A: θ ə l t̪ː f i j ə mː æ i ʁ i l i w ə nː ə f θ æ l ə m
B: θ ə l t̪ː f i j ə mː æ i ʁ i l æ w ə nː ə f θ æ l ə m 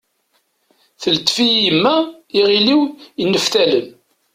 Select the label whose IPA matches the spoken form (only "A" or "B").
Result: A